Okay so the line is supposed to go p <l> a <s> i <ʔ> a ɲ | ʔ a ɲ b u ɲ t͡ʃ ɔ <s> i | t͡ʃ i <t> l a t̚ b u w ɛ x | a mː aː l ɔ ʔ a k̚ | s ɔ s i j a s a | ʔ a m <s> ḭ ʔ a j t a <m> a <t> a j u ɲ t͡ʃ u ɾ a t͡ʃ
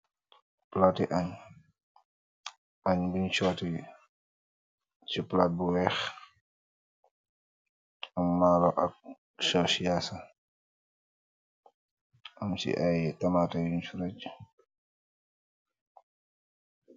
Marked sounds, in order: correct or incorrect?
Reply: correct, incorrect, correct, incorrect, incorrect, correct, correct, correct

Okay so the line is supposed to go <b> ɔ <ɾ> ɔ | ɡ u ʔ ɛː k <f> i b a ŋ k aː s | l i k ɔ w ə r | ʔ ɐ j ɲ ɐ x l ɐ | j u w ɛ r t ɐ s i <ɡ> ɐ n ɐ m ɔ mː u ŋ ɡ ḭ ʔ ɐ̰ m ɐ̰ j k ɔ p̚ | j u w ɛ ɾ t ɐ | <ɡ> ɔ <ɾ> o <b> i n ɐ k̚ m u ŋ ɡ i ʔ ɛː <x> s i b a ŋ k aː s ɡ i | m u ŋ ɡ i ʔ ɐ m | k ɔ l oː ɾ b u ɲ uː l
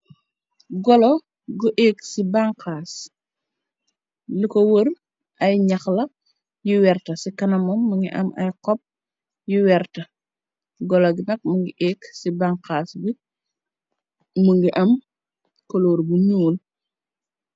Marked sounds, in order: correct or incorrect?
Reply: incorrect, incorrect, incorrect, incorrect, correct, incorrect, incorrect, incorrect

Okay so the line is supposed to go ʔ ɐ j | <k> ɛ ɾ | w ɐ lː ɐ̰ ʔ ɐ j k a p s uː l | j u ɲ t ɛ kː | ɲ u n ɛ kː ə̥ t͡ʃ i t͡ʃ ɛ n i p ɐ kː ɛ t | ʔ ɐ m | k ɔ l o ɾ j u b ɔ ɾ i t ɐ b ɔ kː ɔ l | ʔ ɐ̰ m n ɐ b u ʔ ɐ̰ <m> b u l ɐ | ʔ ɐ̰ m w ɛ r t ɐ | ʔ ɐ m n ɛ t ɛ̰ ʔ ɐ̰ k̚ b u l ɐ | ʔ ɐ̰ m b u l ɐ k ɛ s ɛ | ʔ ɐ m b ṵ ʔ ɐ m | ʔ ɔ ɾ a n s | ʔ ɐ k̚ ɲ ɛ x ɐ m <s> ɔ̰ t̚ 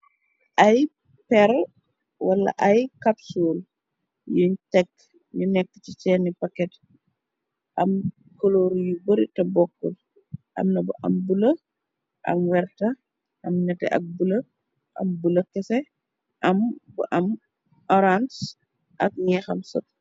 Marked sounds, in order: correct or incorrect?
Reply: incorrect, correct, correct

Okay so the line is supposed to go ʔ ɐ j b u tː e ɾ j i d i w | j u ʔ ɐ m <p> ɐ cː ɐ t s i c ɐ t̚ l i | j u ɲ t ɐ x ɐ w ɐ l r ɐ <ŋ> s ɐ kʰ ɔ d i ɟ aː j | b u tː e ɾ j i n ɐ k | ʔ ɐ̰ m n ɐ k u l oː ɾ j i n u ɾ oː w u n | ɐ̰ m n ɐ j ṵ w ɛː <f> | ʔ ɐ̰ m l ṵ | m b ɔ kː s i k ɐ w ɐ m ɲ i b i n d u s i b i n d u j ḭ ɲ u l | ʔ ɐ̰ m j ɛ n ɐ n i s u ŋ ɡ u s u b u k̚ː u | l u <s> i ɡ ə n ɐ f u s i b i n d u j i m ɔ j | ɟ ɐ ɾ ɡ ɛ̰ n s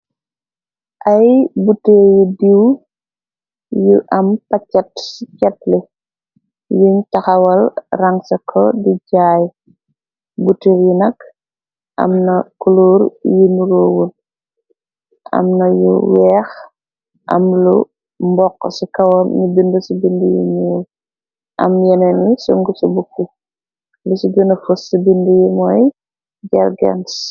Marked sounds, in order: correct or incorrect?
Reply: correct, correct, incorrect, correct

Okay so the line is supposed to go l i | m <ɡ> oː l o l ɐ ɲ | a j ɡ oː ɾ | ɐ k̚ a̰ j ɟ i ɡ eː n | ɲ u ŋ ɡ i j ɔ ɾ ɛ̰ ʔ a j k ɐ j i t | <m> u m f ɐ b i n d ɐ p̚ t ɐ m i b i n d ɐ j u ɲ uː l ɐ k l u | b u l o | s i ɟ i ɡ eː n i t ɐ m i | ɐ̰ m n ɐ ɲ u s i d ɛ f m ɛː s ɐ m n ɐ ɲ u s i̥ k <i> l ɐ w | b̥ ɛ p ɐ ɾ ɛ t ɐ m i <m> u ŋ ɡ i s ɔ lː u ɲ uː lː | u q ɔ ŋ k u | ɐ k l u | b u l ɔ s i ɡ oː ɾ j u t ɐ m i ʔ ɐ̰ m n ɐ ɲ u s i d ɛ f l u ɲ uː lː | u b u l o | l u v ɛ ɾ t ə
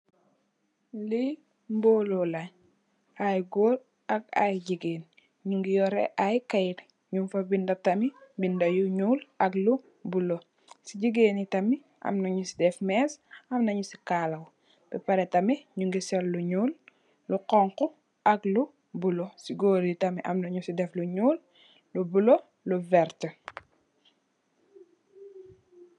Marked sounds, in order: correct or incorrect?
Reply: incorrect, incorrect, incorrect, incorrect

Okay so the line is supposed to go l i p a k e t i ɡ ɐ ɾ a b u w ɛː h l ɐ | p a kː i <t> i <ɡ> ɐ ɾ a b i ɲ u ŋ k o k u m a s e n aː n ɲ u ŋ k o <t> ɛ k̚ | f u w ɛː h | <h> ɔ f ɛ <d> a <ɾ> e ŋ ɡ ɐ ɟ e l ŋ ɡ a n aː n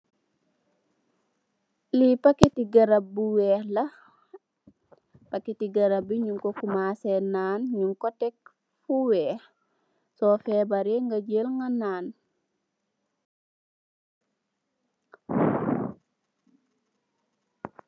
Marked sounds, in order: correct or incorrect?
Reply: correct, correct, correct, incorrect, incorrect, correct

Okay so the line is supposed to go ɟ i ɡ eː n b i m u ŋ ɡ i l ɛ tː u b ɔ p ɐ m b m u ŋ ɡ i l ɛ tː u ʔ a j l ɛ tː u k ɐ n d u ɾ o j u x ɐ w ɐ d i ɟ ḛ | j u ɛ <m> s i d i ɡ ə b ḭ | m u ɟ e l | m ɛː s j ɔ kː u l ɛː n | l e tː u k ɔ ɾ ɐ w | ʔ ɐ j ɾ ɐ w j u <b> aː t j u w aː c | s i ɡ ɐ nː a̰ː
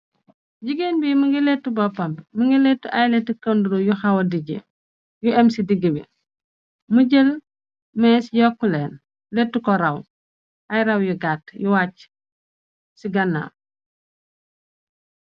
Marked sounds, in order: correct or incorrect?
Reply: correct, incorrect

